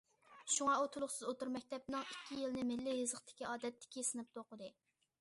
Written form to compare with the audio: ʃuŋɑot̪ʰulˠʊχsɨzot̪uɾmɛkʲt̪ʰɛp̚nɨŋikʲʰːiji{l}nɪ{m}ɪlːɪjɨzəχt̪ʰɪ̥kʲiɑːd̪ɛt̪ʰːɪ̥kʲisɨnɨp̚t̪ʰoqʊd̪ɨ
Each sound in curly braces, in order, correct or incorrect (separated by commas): correct, correct